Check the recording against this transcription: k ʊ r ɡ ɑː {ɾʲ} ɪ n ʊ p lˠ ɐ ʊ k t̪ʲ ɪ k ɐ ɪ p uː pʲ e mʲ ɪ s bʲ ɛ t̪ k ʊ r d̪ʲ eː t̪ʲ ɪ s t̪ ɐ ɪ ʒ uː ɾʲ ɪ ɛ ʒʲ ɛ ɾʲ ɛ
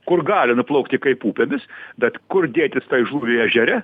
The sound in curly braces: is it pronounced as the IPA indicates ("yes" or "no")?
no